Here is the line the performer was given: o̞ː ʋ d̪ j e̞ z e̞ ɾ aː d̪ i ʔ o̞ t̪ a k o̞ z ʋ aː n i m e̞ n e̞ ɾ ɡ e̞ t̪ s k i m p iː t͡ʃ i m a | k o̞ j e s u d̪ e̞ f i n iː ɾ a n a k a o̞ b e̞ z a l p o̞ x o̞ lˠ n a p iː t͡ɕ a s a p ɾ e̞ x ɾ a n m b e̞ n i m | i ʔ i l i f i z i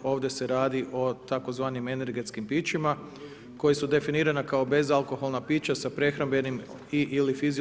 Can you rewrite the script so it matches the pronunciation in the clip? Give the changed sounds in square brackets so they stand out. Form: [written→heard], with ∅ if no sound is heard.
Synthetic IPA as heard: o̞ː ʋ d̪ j e̞ [z→s] e̞ ɾ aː d̪ i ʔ o̞ t̪ a k o̞ z ʋ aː n i m e̞ n e̞ ɾ ɡ e̞ t̪ s k i m p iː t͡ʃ i m a | k o̞ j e s u d̪ e̞ f i n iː ɾ a n a k a o̞ b e̞ z a l [p→k] o̞ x o̞ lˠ n a p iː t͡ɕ a s a p ɾ e̞ x ɾ a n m b e̞ n i m | i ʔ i l i f i z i